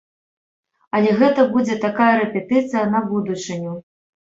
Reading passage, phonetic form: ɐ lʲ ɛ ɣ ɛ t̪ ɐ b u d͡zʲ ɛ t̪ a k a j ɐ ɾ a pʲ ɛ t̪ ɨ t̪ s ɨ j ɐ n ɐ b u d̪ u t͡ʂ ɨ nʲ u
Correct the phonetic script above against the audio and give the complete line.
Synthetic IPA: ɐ lʲ ɛ ɣ ɛ t̪ ɐ b u d͡zʲ ɛ t̪ a k a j ɐ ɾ ɛ pʲ ɛ t̪ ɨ t̪ s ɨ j ɐ n ɐ b u d̪ u t͡ʂ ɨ nʲ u

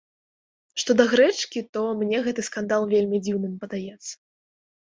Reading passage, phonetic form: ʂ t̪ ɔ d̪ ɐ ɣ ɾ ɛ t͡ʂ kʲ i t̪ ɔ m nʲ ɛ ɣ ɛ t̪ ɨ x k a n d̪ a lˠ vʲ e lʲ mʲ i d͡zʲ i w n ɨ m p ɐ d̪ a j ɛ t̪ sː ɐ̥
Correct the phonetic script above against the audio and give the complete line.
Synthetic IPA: ʂ t̪ ɔ d̪ ɐ ɣ ɾ ɛ t͡ʂ kʲ i t̪ ɔ m nʲ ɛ ɣ ɛ t̪ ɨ s k a n d̪ a lˠ vʲ e lʲ mʲ i d͡zʲ i w n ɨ m p ɐ d̪ a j ɛ t̪ sː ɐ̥

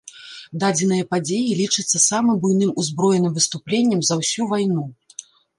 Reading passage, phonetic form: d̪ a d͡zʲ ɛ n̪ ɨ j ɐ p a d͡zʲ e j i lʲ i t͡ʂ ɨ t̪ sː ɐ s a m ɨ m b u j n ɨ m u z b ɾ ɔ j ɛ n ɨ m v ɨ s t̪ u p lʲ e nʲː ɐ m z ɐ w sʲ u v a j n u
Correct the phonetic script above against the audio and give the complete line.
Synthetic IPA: d̪ a d͡zʲ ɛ n̪ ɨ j ɐ p a d͡zʲ e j i lʲ i t͡ʂ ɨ t̪ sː ɐ s a m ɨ m b u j n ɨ m u z b ɾ ɔ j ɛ n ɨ m v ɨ s t̪ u p lʲ e nʲː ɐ m z ɐ w sʲ u v a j n u

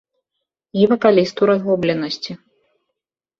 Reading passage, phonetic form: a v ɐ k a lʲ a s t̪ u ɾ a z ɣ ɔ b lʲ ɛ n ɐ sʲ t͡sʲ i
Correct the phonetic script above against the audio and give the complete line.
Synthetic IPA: i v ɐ k a lʲ i s t̪ u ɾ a z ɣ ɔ b lʲ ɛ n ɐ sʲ t͡sʲ i

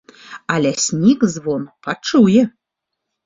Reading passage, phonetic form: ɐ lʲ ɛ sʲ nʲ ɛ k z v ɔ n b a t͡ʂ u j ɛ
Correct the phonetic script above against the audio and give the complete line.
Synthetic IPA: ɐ lʲ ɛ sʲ nʲ i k z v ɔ n p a t͡ʂ u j ɛ

